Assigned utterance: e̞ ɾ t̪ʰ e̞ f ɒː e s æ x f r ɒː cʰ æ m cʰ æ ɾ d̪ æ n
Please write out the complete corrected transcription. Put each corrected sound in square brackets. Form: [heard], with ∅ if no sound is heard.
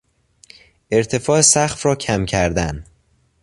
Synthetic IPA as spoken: e̞ ɾ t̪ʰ e̞ f ɒː e s æ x f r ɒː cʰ æ m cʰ æ ɾ d̪ æ n